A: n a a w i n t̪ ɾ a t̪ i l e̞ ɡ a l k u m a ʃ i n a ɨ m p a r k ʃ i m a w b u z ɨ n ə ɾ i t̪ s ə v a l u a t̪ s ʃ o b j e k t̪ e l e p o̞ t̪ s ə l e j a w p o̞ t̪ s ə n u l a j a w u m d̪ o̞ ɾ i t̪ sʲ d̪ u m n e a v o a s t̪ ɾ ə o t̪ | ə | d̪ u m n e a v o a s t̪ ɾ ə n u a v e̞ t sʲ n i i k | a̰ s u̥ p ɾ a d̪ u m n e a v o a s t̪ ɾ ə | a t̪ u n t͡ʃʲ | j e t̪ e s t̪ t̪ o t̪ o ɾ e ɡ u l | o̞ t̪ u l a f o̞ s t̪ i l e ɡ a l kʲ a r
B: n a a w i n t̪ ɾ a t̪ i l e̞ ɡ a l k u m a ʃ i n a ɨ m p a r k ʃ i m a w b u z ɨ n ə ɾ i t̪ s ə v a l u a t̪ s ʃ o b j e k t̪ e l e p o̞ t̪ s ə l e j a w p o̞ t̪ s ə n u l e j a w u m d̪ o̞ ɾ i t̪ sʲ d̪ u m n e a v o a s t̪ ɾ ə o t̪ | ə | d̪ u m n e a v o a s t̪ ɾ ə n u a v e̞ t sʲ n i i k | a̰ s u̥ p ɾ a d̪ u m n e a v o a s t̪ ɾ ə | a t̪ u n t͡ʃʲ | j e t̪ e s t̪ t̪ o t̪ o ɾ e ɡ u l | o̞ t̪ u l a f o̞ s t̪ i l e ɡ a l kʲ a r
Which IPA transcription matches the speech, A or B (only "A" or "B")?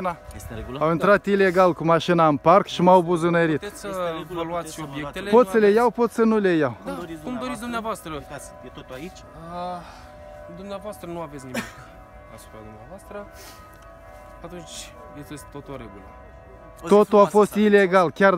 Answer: B